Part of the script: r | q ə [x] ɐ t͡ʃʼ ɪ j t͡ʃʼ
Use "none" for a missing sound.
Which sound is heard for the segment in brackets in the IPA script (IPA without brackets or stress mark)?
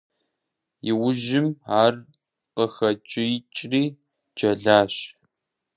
x